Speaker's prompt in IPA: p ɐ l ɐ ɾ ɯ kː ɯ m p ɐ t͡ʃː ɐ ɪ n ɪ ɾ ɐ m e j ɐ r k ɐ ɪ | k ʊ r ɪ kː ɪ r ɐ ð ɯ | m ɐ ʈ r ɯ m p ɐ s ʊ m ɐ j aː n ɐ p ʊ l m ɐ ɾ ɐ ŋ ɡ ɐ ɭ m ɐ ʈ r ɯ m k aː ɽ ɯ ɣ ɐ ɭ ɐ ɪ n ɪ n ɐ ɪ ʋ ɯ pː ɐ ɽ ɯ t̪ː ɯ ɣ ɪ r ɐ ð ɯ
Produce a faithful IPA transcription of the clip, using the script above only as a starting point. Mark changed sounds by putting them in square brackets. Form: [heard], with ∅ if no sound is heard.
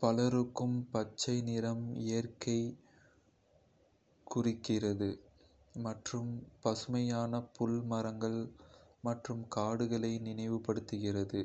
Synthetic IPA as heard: p ɐ l ɐ ɾ ɯ kː ɯ m p ɐ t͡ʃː ɐ ɪ n ɪ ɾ ɐ m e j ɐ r k ɐ ɪ | k ʊ r ɪ kː ɪ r ɐ ð ɯ | m ɐ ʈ r ɯ m p ɐ s [ɯ] m ɐ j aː n ɐ p ʊ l m ɐ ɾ ɐ ŋ ɡ ɐ ɭ m ɐ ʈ r ɯ m k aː ɽ ɯ ɣ ɐ ɭ ɐ ɪ n ɪ n ɐ ɪ ʋ ɯ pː ɐ ɽ ɯ t̪ː ɯ ɣ ɪ r ɐ ð ɯ